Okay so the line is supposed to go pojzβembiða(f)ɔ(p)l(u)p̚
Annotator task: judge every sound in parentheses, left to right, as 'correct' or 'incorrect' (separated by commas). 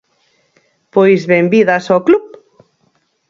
incorrect, incorrect, correct